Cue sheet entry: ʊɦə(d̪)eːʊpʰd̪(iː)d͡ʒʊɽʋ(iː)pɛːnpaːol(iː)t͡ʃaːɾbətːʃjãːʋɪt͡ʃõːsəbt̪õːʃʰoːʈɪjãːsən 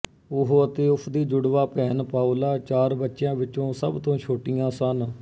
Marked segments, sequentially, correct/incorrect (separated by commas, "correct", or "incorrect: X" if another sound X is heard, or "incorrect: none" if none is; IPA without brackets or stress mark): incorrect: t̪, correct, incorrect: aː, incorrect: aː